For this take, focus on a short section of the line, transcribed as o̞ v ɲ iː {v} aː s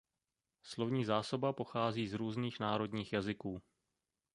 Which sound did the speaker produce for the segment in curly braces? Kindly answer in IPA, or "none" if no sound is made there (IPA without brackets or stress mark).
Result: z